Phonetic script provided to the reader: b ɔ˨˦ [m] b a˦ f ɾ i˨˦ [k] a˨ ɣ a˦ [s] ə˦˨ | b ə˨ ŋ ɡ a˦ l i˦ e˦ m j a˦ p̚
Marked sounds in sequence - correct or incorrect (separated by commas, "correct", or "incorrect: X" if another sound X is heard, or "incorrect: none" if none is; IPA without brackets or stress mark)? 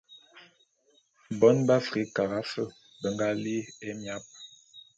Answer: incorrect: n, correct, incorrect: f